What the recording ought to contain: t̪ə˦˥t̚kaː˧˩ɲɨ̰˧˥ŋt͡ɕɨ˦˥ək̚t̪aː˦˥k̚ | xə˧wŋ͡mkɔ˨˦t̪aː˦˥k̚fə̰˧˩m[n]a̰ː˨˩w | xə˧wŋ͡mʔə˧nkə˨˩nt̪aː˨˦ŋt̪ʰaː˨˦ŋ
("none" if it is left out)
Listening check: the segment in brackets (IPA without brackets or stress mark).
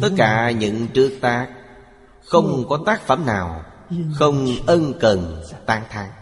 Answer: n